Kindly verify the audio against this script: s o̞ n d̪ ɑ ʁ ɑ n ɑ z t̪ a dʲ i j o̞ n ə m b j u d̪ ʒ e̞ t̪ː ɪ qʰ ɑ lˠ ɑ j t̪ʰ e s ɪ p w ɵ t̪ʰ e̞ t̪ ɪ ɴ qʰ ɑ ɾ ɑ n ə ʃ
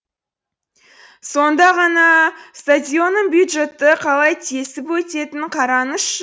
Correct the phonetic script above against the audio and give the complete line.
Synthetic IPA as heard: s o̞ n d̪ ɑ ʁ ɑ n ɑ s t̪ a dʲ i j o̞ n ə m b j u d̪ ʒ e̞ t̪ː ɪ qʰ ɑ lˠ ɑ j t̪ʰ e s ɪ p w ɵ t̪ e̞ t̪ ɪ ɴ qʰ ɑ ɾ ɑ n ə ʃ